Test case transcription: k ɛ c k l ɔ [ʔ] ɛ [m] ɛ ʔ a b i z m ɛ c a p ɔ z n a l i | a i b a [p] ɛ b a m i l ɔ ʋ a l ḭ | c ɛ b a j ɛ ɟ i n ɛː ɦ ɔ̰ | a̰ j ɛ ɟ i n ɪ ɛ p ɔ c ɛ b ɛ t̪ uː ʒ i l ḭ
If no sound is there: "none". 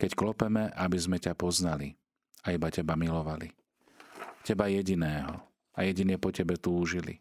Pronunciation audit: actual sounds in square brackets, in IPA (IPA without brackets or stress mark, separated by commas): p, m, c